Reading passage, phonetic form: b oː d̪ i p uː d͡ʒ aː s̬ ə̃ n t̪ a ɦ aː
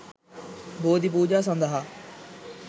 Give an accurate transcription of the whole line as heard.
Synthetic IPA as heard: b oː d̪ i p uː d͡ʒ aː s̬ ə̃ n d̪ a ɦ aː